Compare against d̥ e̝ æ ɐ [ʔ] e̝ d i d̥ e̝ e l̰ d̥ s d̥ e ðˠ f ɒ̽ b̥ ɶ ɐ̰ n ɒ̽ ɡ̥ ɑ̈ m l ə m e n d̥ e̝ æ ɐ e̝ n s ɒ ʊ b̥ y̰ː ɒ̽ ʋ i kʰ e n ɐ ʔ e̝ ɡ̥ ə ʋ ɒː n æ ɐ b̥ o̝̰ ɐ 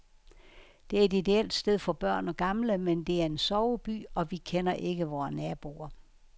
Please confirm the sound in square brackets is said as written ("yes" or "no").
no